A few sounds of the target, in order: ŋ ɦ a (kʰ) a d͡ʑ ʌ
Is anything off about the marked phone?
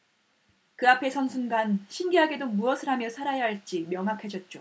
no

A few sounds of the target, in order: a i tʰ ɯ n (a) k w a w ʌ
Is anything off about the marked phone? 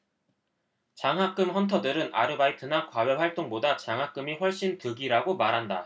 no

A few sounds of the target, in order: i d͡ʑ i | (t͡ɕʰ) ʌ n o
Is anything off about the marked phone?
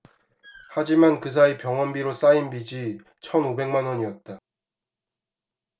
no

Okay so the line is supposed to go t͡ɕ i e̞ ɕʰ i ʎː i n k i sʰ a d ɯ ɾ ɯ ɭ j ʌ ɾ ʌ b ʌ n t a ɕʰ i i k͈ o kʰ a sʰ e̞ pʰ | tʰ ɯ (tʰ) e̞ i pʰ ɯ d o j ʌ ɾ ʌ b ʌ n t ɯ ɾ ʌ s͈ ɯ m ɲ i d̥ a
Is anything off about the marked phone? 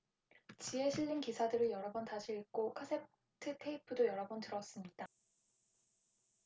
no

